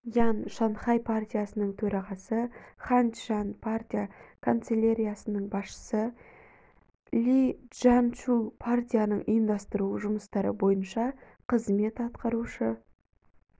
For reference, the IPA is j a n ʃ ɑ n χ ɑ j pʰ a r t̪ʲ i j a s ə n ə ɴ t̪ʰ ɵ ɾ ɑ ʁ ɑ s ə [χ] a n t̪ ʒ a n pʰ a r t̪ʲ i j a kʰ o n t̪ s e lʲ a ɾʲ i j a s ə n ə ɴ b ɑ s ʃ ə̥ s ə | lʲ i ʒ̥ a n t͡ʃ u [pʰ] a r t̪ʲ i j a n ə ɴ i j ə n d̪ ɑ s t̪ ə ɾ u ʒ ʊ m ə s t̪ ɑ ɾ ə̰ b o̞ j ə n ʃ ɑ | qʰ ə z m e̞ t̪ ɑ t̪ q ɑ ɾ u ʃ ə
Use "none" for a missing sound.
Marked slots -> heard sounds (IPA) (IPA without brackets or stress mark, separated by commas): χ, pʰ